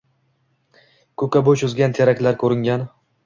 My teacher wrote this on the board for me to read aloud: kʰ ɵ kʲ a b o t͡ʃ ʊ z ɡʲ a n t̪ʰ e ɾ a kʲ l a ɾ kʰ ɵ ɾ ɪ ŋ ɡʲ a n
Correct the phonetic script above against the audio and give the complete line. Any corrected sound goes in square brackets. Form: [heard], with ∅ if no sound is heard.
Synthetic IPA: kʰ ɵ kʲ a b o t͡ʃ ʊ z ɡʲ a n t̪ʰ e ɾ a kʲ l a ɾ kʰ ɵ ɾ ɪ ŋ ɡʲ a n